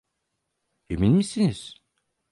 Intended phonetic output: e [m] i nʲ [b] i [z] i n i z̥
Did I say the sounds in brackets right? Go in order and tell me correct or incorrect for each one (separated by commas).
correct, incorrect, incorrect